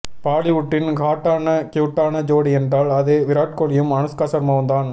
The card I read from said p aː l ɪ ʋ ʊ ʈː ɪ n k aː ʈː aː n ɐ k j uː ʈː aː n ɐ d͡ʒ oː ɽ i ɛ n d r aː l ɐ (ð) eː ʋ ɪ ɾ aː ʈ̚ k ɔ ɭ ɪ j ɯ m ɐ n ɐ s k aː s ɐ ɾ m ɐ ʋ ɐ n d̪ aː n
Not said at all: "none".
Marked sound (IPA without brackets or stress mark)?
ð